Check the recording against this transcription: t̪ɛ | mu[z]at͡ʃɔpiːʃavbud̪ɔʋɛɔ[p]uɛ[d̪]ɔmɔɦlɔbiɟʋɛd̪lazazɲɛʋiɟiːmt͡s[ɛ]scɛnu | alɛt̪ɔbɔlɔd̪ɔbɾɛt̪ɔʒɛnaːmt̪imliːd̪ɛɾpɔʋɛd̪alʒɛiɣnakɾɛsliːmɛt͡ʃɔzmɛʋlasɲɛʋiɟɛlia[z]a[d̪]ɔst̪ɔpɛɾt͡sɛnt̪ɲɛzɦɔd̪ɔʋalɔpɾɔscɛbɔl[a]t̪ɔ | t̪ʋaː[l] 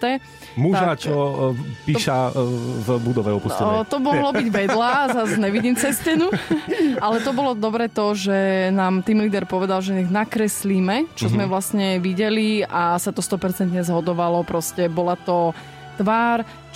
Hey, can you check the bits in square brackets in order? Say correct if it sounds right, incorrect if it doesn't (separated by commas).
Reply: incorrect, correct, incorrect, correct, incorrect, incorrect, correct, incorrect